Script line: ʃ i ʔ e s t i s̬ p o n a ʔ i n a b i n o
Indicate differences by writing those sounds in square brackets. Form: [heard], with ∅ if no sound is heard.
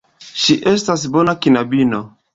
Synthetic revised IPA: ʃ i ʔ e s t [a] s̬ [b] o n a [k] i n a b i n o